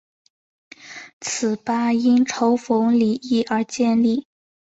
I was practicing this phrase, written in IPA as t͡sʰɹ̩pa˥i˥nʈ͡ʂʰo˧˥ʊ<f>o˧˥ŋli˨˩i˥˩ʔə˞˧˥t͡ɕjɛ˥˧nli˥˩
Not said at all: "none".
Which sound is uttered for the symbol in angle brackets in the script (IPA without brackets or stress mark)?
f